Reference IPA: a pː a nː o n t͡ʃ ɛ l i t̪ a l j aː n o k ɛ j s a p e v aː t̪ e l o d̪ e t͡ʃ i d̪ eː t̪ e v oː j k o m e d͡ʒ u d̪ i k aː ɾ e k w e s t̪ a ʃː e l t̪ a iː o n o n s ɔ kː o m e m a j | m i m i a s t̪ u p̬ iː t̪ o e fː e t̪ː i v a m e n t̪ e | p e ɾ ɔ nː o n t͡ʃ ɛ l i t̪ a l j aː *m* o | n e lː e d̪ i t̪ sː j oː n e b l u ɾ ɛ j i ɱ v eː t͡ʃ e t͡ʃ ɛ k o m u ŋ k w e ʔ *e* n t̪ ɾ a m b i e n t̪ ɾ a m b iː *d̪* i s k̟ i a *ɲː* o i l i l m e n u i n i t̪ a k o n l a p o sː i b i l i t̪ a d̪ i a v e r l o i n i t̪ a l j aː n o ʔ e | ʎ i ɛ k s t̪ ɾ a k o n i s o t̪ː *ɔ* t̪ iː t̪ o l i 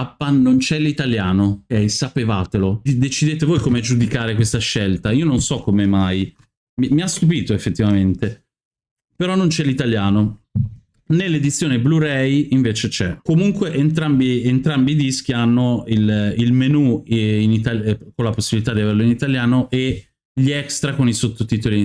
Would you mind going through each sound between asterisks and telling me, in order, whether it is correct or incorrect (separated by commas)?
incorrect, correct, correct, incorrect, incorrect